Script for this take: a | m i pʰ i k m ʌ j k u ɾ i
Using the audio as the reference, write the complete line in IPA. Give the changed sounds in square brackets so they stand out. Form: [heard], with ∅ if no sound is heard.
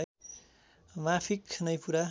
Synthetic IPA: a | m [a] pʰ i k [n] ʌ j [p] u ɾ [a]